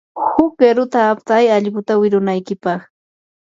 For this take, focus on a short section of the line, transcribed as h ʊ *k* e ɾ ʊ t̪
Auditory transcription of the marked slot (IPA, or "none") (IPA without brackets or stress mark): k